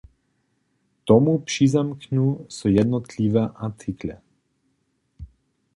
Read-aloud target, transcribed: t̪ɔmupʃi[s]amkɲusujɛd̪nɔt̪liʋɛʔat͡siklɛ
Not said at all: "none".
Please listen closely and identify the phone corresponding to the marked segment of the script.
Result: z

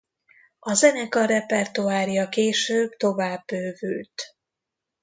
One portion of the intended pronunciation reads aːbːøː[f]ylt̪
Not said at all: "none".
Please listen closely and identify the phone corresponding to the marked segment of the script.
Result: v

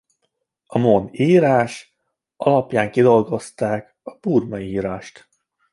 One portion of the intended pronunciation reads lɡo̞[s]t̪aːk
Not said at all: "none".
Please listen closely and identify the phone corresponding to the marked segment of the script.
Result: s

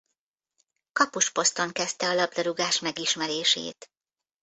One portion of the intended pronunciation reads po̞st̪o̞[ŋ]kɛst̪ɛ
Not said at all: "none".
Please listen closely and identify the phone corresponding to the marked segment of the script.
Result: ŋ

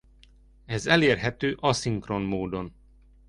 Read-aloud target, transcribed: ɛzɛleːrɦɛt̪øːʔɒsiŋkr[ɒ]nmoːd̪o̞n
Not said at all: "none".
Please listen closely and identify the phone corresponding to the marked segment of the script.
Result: o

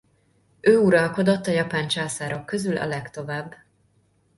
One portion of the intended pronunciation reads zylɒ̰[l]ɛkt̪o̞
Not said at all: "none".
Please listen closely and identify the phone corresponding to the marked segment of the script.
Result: l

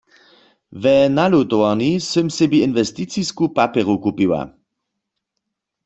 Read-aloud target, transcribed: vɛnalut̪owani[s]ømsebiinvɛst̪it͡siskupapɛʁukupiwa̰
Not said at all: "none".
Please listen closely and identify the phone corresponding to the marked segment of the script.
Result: s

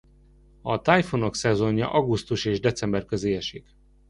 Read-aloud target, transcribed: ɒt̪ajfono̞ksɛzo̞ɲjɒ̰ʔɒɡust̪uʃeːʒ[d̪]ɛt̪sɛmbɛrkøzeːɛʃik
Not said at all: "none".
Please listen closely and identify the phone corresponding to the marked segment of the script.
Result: d̪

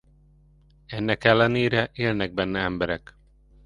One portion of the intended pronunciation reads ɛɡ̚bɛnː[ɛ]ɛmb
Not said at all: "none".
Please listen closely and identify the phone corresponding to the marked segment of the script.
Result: ɛ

